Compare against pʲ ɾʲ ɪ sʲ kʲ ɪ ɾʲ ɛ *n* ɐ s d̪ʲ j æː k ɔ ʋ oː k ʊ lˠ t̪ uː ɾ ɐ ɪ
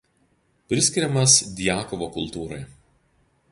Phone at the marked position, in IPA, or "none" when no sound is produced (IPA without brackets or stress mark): m